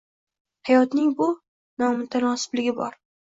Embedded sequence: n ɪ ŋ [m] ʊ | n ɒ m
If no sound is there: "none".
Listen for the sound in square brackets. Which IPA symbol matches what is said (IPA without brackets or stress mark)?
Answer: b